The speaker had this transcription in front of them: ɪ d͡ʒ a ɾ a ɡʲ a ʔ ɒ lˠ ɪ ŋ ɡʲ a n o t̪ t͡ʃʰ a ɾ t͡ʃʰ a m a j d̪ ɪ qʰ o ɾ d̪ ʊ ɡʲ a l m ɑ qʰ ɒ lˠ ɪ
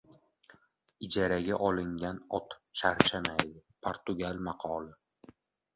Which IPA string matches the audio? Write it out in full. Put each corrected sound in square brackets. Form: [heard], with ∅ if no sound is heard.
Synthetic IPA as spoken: ɪ d͡ʒ a ɾ a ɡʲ a ʔ ɒ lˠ ɪ ŋ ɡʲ a n [ɒ] t̪ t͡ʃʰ a ɾ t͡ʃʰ a m a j d̪ ɪ [pʰ] o ɾ [t̪] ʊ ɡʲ a l m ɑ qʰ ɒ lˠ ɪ